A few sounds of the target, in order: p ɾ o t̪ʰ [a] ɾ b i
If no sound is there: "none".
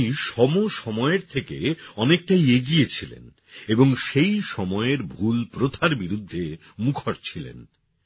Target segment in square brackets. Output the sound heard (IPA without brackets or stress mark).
a